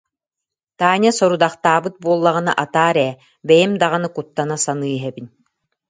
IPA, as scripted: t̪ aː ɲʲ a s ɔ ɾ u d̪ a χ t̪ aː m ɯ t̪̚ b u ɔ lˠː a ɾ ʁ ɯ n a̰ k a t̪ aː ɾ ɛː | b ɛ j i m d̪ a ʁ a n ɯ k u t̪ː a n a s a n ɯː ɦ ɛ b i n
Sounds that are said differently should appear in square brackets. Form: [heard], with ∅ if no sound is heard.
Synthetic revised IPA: t̪ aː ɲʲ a s ɔ ɾ u d̪ a χ t̪ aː [b] ɯ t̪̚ b u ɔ lˠː a [∅] ʁ ɯ n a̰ [ʔ] a t̪ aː ɾ ɛː | b ɛ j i m d̪ a ʁ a n ɯ k u t̪ː a n a s a n ɯː ɦ ɛ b i n